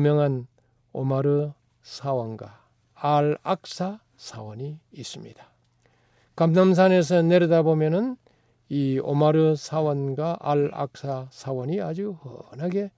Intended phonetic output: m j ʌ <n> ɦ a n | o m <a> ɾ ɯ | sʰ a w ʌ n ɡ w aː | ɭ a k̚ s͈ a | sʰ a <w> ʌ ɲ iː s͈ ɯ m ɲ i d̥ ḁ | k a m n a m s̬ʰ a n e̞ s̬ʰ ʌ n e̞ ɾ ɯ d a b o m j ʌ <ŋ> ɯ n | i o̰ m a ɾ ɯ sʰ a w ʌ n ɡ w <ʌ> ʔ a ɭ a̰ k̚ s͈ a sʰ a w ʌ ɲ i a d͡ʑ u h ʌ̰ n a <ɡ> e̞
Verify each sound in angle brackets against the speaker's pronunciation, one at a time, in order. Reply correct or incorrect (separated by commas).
incorrect, correct, correct, incorrect, incorrect, correct